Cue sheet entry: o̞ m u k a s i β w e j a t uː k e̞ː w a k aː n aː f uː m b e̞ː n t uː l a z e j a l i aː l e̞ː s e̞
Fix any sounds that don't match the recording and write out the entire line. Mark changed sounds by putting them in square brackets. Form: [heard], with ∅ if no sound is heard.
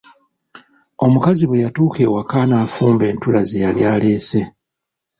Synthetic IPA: o̞ m u k a [z] i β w e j a t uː k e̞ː w a k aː n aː f uː m b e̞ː n t [u] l a z e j a l [j] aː l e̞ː s e̞